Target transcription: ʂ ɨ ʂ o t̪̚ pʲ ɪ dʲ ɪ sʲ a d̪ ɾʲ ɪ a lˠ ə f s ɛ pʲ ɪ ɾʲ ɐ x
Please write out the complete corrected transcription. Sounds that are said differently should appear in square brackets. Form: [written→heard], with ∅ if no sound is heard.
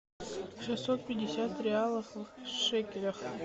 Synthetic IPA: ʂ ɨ [ʂ→s] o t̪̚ pʲ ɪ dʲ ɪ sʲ a [d̪→t̪] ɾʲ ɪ a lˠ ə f [s→ʂ] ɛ [pʲ→kʲ] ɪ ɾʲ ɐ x